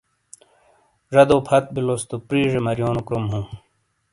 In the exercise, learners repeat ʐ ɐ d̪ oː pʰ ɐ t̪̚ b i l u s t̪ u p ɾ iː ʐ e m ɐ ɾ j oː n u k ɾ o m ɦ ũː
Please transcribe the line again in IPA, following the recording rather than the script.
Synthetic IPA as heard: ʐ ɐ d̪ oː pʰ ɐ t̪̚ b i l o s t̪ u p ɾ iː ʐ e m ɐ ɾ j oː n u k ɾ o m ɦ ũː

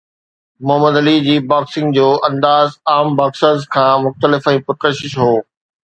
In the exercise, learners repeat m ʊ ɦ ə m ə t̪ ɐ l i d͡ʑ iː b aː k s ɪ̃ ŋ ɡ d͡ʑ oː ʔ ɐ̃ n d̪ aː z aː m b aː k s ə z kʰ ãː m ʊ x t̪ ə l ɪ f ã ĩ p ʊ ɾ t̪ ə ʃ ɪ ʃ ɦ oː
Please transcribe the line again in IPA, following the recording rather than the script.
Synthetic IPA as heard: m ʊ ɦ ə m ə d̪ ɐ l i d͡ʑ iː b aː k s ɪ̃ ŋ ɡ d͡ʑ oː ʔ ɐ̃ n d̪ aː z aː m b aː k s ə z kʰ ãː m ʊ x t̪ ə l ɪ f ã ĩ p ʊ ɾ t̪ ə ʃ ɪ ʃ ɦ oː

